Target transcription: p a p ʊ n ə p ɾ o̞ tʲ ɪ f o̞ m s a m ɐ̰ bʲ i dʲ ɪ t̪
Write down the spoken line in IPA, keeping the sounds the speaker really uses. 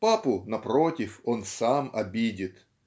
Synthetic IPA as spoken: p a p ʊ n ɐ p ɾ o̞ tʲ ɪ f o̞ n s a m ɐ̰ bʲ i dʲ ɪ t̪